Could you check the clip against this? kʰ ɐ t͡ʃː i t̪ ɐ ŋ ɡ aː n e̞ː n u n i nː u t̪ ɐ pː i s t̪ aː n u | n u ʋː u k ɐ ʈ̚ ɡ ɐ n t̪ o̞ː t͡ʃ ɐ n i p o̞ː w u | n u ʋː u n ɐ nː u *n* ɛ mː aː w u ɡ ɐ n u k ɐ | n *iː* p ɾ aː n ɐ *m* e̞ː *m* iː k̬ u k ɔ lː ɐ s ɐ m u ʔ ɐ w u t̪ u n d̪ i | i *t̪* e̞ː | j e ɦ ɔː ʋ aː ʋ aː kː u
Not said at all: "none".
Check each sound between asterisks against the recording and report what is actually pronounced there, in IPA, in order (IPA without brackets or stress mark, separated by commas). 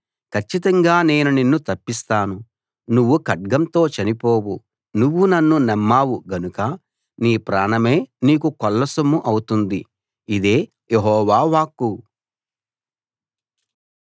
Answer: n, iː, m, n, d̪